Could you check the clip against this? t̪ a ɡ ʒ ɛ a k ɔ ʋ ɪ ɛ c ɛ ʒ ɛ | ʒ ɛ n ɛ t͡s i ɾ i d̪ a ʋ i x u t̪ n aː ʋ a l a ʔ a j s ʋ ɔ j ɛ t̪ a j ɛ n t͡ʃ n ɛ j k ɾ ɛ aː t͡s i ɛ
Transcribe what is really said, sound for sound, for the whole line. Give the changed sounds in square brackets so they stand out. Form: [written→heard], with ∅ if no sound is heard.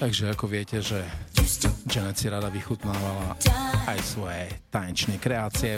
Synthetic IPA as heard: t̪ a ɡ ʒ ɛ a k ɔ ʋ ɪ ɛ c ɛ ʒ ɛ | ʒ ɛ n ɛ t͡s i ɾ [i→a] d̪ a ʋ i x u t̪ n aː ʋ a l a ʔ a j s ʋ ɔ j ɛ t̪ a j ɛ n t͡ʃ n ɛ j k ɾ ɛ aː t͡s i ɛ